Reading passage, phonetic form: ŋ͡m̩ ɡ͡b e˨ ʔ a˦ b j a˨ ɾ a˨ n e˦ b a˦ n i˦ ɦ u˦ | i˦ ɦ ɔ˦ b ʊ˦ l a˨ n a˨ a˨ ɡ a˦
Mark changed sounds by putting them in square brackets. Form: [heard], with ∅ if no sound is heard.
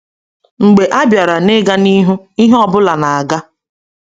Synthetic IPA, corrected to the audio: ŋ͡m̩ ɡ͡b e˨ ʔ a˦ b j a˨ ɾ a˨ n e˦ [ɡ] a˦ n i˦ ɦ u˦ | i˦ ɦ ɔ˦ b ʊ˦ l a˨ n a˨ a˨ ɡ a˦